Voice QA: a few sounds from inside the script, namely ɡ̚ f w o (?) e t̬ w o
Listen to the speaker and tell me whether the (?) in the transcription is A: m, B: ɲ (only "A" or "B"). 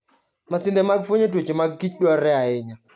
B